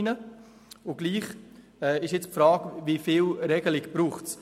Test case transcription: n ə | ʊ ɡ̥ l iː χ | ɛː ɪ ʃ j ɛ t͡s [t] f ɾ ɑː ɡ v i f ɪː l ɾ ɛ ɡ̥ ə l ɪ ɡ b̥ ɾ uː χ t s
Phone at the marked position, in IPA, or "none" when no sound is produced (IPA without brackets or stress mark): p